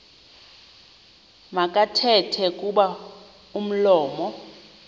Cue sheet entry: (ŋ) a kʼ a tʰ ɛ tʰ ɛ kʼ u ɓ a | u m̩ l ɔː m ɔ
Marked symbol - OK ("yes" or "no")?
no